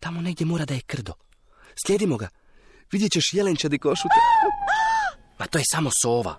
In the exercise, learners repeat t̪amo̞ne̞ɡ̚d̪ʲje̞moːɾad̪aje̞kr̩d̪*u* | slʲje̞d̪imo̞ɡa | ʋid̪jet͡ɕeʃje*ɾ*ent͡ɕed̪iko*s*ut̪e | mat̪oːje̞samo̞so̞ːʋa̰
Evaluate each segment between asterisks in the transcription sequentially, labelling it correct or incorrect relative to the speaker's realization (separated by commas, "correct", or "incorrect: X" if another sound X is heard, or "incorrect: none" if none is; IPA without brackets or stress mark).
incorrect: o, incorrect: l, incorrect: ʃ